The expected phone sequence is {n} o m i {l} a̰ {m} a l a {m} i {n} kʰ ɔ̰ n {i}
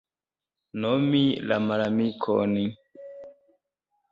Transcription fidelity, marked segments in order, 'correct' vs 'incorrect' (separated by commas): correct, correct, correct, correct, incorrect, correct